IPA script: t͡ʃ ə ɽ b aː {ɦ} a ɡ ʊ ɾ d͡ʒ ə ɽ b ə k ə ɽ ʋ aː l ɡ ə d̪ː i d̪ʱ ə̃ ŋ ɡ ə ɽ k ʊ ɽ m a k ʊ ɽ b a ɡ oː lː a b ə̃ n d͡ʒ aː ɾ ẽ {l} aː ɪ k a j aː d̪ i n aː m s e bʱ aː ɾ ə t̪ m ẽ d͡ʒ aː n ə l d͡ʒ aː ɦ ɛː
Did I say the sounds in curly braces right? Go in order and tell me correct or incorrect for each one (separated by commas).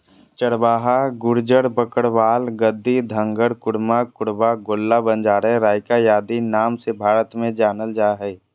correct, incorrect